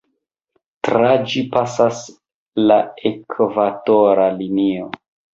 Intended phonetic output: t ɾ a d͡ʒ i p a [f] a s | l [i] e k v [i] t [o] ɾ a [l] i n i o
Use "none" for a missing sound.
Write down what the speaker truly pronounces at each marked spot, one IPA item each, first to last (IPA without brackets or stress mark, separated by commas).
s, a, a, o, l